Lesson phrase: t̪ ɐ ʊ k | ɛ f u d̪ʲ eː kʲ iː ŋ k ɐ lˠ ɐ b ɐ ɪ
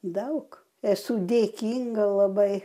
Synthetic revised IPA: d̪ ɐ ʊ k | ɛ s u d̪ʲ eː kʲ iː ŋ ɡ ɐ lˠ ɐ b ɐ ɪ